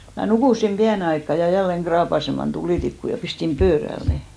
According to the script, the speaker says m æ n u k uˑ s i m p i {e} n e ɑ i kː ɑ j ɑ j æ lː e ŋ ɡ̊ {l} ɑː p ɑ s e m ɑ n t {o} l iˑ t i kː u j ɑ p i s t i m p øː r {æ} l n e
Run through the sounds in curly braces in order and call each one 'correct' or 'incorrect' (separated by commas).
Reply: incorrect, incorrect, incorrect, correct